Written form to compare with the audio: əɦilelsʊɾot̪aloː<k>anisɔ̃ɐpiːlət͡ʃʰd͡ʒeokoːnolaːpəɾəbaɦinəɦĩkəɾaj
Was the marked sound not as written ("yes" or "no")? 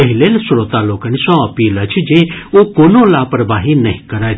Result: no